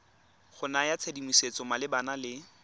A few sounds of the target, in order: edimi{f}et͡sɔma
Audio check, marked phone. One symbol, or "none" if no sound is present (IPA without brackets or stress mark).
s